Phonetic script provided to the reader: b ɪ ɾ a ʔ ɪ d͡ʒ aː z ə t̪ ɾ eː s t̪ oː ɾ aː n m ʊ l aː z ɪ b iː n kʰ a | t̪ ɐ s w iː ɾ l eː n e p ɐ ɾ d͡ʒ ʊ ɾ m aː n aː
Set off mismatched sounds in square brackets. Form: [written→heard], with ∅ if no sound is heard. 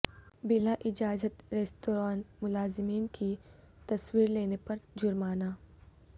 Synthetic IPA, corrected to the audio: b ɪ [ɾ→l] a ʔ ɪ d͡ʒ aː z ə t̪ ɾ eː s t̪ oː ɾ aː n m ʊ l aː z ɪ [b→m] iː n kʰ [a→i] | t̪ ɐ s w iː ɾ l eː n e p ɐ ɾ d͡ʒ ʊ ɾ m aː n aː